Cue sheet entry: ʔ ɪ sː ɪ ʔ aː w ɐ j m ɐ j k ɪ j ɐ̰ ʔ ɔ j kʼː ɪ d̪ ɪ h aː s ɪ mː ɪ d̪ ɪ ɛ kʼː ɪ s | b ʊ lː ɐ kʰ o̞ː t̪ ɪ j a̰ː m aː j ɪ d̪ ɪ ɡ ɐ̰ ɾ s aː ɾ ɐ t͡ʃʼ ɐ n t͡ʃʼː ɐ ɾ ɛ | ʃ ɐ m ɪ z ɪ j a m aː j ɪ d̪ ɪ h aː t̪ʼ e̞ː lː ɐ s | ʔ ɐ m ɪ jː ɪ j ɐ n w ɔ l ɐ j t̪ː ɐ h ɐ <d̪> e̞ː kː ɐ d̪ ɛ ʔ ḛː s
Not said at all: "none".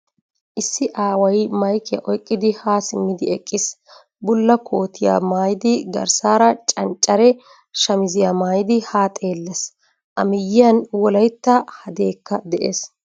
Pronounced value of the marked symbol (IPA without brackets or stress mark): d̪